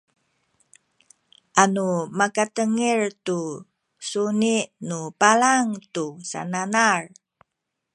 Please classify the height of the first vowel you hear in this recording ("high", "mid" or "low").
low